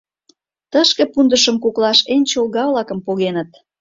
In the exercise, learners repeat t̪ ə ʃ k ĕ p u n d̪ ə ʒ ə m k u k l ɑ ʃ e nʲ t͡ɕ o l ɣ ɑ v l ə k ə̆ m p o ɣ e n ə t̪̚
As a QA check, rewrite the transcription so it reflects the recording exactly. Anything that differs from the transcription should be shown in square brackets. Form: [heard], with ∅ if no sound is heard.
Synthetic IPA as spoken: t̪ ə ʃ k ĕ p u n d̪ ə [ʃ] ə m k u k l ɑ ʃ e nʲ t͡ɕ o l ɣ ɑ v l [ɑ] k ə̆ m p o ɣ e n ə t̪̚